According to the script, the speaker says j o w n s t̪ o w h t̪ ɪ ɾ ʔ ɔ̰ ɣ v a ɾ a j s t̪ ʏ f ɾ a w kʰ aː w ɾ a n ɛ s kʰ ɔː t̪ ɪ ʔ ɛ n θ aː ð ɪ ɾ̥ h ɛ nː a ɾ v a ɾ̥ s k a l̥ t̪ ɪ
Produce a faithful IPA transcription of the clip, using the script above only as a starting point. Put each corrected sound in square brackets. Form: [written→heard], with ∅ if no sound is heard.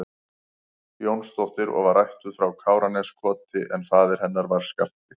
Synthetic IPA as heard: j o w n s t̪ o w h t̪ ɪ ɾ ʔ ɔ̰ ɣ v a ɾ a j [s→h] t̪ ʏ f ɾ a w kʰ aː w ɾ a n ɛ s kʰ ɔː t̪ ɪ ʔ ɛ n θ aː ð ɪ ɾ̥ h ɛ nː a ɾ v a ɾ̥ s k a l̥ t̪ ɪ